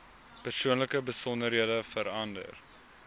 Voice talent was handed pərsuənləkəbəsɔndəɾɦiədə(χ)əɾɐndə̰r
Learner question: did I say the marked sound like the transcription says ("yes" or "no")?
no